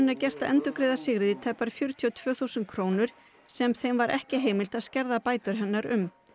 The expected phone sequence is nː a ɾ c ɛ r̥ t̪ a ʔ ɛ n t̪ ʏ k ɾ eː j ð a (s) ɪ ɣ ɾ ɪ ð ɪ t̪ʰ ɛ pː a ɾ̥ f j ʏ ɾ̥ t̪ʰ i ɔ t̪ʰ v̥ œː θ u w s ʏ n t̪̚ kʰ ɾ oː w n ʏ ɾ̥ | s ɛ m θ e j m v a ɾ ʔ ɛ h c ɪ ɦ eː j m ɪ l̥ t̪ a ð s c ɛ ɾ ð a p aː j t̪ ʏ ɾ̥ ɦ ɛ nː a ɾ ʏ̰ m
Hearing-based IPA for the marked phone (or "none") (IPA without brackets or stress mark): s